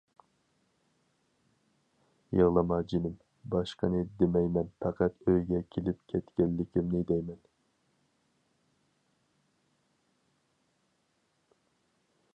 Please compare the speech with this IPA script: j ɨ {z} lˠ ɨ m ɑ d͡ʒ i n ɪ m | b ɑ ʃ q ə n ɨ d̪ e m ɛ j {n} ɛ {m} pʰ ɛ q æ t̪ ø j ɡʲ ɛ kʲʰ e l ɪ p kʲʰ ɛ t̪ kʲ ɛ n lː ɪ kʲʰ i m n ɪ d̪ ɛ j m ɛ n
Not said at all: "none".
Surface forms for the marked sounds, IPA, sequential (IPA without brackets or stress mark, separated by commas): ʁ, m, n